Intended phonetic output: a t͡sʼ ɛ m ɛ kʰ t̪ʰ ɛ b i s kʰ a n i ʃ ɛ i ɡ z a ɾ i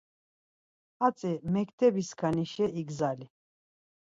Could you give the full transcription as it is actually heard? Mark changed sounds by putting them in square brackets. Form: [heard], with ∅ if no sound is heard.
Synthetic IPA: a t͡sʼ ɛ m ɛ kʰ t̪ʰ ɛ b i s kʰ a n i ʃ ɛ i ɡ z a [l] i